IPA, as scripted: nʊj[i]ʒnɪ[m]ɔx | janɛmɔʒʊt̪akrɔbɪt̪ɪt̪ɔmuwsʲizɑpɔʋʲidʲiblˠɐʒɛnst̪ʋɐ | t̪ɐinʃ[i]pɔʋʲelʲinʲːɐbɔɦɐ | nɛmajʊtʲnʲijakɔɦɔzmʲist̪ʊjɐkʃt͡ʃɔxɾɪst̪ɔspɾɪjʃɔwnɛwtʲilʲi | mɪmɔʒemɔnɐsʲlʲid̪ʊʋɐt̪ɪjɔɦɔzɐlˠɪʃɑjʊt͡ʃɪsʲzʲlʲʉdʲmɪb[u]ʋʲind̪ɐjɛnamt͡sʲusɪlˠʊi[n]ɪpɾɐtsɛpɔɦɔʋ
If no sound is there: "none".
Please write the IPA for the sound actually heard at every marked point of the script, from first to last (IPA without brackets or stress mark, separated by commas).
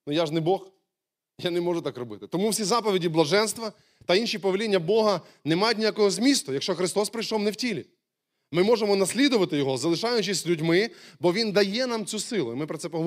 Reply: a, b, i, ɔ, m